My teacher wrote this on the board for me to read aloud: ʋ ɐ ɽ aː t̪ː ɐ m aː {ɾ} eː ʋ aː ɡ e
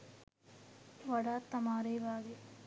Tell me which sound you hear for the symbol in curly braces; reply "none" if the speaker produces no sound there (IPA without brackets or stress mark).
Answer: ɾ